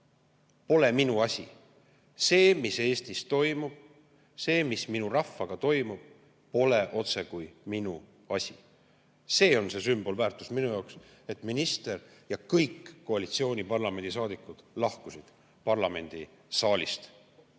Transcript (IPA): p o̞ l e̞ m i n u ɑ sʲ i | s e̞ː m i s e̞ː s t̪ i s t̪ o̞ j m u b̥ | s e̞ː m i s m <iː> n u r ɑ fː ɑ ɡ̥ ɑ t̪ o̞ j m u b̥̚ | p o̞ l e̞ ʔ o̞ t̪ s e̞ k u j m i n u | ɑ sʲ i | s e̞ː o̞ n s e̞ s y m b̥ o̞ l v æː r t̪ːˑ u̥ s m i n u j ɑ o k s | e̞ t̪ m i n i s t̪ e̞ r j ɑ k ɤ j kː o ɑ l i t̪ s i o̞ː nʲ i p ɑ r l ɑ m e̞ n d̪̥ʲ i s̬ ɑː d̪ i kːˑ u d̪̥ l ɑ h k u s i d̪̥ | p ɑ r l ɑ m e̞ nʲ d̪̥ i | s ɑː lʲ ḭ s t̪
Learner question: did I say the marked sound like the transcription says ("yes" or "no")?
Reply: no